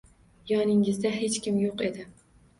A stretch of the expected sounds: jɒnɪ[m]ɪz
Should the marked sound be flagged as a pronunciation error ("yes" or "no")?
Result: yes